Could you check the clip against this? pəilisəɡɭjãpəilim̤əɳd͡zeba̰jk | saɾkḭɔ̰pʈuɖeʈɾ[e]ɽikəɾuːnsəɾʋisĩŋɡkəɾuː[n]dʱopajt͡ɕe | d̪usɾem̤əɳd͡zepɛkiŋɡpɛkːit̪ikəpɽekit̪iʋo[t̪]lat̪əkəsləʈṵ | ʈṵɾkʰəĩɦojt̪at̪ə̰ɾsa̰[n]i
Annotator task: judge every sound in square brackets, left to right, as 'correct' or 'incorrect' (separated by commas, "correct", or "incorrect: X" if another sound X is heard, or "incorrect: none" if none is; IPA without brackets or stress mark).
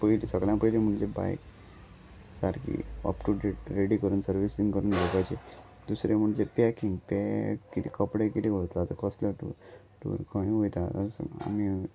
correct, correct, correct, incorrect: m